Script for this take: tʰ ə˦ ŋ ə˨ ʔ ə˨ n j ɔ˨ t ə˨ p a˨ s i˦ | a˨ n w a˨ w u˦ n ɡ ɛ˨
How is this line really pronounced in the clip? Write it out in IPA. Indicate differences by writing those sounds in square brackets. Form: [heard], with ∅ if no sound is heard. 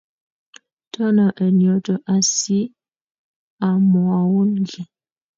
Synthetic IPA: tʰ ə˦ [n] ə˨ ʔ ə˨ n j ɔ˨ t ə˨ [ʔ] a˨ s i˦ | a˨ [m] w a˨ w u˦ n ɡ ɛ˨